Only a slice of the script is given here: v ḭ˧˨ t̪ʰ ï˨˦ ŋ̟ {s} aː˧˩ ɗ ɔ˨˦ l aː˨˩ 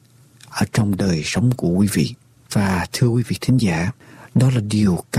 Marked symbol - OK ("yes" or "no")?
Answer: no